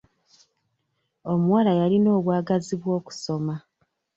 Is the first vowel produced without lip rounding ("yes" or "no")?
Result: no